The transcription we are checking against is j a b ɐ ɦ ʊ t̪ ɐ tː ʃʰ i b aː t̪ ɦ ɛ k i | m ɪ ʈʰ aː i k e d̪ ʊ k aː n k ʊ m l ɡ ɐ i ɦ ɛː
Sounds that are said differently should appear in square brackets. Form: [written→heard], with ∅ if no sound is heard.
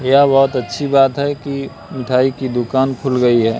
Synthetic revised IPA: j a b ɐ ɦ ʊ t̪ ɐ tː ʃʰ i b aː t̪ ɦ ɛ k i | m ɪ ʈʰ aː i k [e→i] d̪ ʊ k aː n [k→kʰ] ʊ [m→∅] l ɡ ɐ i ɦ ɛː